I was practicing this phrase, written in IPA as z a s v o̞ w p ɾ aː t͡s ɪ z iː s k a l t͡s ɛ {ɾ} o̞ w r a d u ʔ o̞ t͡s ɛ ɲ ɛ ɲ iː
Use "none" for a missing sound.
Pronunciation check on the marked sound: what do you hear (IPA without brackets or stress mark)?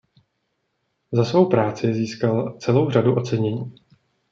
l